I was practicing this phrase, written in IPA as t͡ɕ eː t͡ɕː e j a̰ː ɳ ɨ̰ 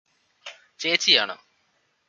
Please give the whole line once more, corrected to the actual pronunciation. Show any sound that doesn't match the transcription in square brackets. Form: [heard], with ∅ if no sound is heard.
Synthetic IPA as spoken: t͡ɕ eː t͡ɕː [i] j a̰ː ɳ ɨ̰

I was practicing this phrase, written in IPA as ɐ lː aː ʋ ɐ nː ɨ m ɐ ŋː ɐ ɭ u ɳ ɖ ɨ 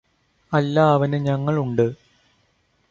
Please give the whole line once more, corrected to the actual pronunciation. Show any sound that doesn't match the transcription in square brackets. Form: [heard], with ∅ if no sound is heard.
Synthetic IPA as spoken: ɐ lː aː ʋ ɐ [n] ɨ [ɲ] ɐ ŋː ɐ ɭ u ɳ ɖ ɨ

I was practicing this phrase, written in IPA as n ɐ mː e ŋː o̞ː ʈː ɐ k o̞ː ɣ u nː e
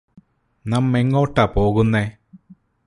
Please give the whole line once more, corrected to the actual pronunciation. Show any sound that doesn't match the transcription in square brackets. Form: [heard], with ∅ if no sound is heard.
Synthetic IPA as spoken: n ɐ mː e ŋː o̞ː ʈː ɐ [p] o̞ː ɣ u nː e

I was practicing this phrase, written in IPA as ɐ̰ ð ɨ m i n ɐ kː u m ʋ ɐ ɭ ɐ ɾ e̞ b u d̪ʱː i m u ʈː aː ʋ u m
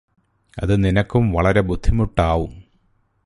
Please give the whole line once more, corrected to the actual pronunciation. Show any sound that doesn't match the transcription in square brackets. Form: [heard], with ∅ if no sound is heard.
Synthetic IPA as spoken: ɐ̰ ð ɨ [n] i n ɐ kː u m ʋ ɐ ɭ ɐ ɾ e̞ b u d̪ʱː i m u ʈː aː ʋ u m

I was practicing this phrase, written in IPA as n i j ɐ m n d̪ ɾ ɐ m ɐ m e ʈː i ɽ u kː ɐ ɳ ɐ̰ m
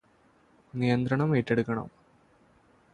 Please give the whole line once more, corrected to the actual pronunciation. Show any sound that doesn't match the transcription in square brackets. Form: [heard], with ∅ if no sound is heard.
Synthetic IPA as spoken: n i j ɐ [∅] n d̪ ɾ ɐ [ɳ] ɐ m e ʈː [e] ɽ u kː ɐ ɳ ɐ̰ m

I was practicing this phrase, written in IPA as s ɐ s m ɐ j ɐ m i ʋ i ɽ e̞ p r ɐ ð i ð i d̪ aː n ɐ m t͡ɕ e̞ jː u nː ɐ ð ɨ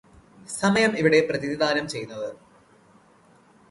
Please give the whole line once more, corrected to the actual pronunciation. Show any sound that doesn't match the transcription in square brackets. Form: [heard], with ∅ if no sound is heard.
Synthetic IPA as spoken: s ɐ [∅] m ɐ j ɐ m i ʋ i ɽ e̞ p r ɐ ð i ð i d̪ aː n ɐ m t͡ɕ e̞ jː u nː ɐ ð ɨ

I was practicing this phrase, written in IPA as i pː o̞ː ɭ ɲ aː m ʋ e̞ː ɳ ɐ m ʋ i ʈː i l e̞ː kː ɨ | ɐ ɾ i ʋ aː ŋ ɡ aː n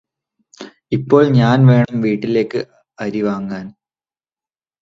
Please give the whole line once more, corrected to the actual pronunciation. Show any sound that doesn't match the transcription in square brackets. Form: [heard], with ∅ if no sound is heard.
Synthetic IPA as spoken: i pː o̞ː ɭ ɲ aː [n] ʋ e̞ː ɳ ɐ m ʋ [iː] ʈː i l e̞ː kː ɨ | ɐ ɾ i ʋ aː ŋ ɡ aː n

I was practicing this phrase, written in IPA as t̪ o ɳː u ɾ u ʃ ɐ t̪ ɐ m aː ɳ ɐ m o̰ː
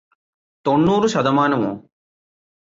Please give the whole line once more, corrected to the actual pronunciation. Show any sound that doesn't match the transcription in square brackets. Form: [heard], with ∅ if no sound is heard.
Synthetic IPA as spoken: t̪ o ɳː [uː] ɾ u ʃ ɐ [d̪] ɐ m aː [n] ɐ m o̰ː

